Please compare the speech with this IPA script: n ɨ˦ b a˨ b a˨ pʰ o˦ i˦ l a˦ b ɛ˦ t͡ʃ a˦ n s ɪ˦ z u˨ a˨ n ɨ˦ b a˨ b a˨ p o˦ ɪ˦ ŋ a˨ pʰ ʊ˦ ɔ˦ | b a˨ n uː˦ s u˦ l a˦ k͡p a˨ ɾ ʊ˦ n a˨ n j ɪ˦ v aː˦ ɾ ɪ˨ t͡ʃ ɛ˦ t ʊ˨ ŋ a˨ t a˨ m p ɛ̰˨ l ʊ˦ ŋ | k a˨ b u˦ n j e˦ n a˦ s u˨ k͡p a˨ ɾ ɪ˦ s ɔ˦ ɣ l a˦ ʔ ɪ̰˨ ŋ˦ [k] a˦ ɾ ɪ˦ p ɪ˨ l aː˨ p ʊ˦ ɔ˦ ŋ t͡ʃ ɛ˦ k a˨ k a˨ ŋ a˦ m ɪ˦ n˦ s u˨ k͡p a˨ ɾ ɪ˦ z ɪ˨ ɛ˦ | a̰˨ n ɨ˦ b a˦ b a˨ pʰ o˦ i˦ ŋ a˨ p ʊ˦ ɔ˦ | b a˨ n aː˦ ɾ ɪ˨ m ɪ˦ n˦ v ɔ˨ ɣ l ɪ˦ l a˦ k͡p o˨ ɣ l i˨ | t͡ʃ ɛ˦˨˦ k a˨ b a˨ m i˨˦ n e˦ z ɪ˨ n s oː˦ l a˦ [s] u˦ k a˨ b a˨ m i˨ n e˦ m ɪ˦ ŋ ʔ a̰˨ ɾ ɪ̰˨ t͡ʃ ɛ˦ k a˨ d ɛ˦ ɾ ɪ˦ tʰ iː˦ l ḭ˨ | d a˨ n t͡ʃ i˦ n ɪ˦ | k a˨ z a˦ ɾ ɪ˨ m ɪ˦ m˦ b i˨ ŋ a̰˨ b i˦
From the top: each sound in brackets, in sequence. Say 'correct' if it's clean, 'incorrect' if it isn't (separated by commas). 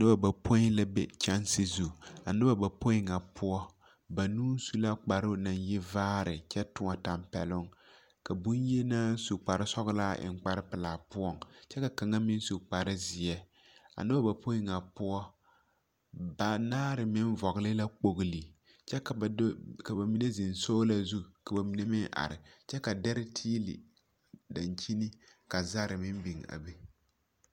incorrect, incorrect